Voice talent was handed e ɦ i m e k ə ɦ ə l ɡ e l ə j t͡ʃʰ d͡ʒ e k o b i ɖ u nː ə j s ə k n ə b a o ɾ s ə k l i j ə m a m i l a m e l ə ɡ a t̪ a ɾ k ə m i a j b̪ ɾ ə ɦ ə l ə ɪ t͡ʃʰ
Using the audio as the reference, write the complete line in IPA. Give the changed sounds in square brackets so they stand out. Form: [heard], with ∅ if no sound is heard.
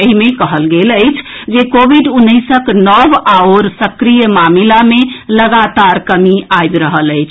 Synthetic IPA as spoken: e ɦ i m e k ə ɦ ə l ɡ e l ə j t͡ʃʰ d͡ʒ e k o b i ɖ u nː ə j s ə k n ə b a o ɾ s ə k [ɾ] i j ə m a m i l a m e l ə ɡ a t̪ a ɾ k ə m i a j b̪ ɾ ə ɦ ə l ə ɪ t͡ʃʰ